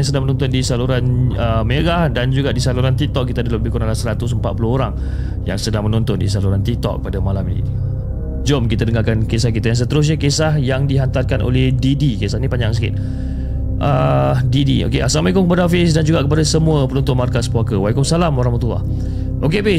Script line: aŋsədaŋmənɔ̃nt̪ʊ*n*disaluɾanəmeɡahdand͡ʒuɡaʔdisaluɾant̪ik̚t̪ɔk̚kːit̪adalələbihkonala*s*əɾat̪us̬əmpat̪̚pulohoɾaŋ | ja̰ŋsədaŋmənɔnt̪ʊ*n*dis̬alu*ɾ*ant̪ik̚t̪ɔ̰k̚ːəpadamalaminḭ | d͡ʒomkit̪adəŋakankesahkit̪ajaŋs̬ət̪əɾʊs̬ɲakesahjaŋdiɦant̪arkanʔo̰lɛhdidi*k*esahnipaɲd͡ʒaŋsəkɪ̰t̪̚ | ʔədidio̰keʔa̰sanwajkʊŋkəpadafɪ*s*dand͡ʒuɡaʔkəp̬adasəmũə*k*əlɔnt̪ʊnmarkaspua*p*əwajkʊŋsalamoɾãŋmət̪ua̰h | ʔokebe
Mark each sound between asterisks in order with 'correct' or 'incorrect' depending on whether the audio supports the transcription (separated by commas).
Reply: correct, correct, correct, correct, correct, correct, incorrect, incorrect